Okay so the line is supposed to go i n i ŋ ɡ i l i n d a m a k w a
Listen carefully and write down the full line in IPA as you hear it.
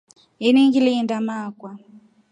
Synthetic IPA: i n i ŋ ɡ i l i n d a m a k w a